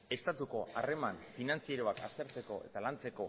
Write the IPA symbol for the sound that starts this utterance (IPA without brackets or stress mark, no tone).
e̞